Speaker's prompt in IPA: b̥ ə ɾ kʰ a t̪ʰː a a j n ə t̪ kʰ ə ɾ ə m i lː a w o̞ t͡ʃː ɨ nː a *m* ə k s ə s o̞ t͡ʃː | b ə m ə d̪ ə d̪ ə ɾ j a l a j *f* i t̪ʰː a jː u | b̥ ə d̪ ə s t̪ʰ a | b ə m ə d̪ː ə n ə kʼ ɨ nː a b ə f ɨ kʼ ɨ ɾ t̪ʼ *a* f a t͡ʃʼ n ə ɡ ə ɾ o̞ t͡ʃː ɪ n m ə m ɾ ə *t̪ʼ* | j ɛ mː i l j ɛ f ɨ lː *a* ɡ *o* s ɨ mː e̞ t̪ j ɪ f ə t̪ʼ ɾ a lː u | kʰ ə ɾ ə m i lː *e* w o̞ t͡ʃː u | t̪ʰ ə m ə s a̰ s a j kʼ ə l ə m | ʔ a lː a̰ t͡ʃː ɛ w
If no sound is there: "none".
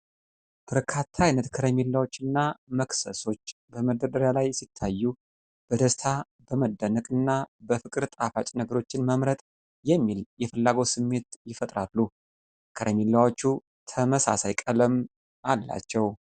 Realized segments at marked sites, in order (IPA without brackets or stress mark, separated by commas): m, s, a, t̪ʼ, a, o, a